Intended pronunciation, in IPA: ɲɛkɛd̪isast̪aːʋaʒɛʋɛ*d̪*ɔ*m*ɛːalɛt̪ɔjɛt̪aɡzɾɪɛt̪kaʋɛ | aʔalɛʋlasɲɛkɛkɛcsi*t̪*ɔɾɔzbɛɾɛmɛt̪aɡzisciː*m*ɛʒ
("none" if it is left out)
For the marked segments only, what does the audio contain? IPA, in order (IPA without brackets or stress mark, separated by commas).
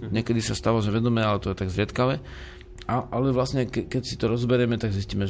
d̪, m, t̪, m